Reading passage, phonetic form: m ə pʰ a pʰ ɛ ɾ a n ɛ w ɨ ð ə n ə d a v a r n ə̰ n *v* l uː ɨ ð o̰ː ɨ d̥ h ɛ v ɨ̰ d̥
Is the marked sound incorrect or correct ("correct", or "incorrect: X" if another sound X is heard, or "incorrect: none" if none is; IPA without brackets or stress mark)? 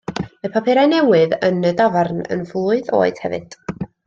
correct